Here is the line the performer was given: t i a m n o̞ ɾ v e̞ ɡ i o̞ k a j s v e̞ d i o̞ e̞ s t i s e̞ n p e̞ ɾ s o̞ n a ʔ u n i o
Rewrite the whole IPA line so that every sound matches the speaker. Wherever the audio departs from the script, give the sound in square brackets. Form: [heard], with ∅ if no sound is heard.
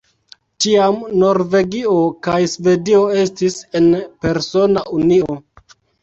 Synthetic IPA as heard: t i a m n o̞ ɾ v e̞ ɡ i o̞ k a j s v e̞ d i o̞ e̞ s t i s e̞ n p e̞ ɾ s o̞ n a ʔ u n i o